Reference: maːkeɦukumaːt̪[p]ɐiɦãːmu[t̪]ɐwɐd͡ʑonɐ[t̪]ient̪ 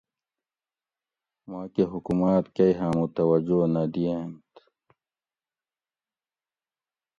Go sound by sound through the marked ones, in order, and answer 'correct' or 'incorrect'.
incorrect, correct, incorrect

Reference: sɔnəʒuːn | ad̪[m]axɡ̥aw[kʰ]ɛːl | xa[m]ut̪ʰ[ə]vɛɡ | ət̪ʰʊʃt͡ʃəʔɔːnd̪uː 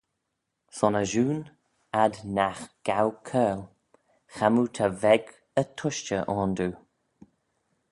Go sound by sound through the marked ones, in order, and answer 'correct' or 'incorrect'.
incorrect, correct, correct, incorrect

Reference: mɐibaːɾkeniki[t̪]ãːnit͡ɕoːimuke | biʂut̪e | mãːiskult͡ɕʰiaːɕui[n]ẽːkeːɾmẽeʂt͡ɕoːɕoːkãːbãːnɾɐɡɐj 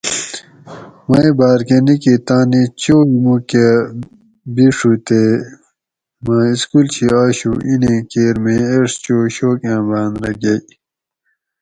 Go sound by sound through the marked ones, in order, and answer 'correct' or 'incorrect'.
correct, correct

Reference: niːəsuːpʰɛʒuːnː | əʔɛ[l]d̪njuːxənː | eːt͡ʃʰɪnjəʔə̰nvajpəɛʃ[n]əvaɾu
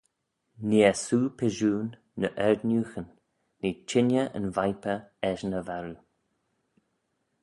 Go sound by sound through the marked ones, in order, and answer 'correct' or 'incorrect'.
incorrect, correct

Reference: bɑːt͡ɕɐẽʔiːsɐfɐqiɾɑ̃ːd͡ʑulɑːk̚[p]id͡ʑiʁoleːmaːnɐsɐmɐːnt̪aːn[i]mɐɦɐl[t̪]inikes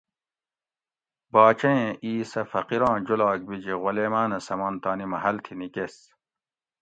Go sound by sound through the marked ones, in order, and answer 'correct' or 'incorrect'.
incorrect, correct, incorrect

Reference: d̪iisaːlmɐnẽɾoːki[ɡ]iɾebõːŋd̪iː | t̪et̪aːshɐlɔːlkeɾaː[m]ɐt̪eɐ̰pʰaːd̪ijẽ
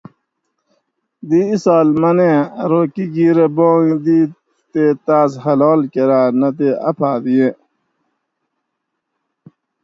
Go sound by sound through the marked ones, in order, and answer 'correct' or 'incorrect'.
correct, incorrect

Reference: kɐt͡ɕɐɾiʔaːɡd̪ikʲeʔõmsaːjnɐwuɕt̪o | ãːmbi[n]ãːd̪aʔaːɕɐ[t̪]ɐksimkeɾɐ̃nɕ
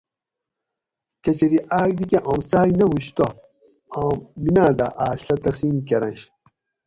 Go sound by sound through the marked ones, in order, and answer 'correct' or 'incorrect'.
correct, correct

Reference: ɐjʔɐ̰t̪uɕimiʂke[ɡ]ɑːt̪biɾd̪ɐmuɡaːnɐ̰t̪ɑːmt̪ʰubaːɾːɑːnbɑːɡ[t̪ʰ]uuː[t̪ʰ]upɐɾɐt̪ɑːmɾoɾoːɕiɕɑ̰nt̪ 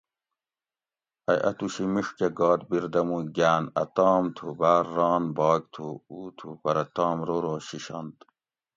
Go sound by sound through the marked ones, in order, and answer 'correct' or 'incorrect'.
correct, correct, correct

